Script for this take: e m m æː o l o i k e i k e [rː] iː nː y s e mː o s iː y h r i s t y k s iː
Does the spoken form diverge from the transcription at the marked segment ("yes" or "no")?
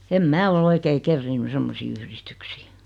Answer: no